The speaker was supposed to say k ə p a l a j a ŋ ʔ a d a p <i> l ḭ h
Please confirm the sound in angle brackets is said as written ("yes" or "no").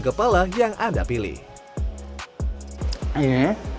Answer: yes